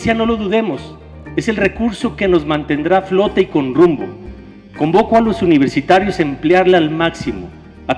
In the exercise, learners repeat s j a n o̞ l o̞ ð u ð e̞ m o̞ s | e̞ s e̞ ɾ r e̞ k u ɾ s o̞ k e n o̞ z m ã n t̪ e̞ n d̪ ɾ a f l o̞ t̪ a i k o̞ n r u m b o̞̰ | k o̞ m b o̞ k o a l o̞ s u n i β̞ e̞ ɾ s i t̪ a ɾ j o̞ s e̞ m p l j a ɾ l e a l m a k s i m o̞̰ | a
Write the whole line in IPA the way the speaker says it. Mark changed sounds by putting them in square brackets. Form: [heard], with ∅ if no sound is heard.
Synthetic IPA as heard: s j a n o̞ l o̞ ð u ð e̞ m o̞ s | e̞ s e̞ [l] r e̞ k u ɾ s o̞ k e n o̞ z m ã n t̪ e̞ n d̪ ɾ a f l o̞ t̪ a i k o̞ n r u m b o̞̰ | k o̞ m b o̞ k o a l o̞ s u n i β̞ e̞ ɾ s i t̪ a ɾ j o̞ s e̞ m p l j a ɾ l e a l m a k s i m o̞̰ | a